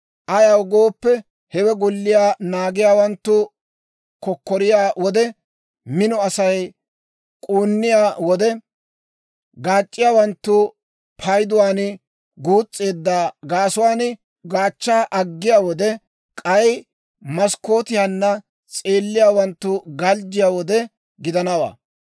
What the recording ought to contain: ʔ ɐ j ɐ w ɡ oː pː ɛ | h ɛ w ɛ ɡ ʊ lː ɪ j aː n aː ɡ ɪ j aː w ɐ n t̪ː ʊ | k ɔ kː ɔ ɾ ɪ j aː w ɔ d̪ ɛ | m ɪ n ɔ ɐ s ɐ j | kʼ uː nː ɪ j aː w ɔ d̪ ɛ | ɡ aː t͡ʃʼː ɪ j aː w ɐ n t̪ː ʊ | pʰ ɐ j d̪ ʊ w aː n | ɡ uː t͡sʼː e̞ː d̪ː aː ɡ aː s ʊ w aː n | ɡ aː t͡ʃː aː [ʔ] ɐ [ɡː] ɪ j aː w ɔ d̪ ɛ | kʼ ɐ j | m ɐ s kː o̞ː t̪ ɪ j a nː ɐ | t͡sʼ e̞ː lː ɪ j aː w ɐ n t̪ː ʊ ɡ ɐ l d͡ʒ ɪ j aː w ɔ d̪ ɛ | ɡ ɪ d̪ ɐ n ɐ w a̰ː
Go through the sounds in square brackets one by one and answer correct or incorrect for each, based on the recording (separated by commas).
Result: correct, correct